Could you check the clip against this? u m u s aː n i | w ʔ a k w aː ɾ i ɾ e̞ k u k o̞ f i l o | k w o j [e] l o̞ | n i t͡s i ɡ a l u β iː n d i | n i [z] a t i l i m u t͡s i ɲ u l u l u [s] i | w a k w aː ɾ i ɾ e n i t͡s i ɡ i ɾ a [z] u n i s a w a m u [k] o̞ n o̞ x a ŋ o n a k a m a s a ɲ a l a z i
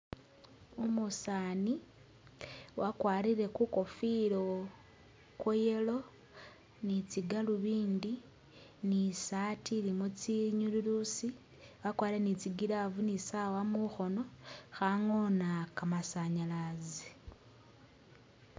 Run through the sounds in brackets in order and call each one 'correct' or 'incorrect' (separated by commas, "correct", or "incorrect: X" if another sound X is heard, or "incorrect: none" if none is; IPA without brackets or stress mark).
correct, incorrect: s, correct, incorrect: v, incorrect: x